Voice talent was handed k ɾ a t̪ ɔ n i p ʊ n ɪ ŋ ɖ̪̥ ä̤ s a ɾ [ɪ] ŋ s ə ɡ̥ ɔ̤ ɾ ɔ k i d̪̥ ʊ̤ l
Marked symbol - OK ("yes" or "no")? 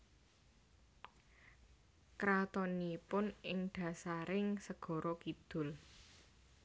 yes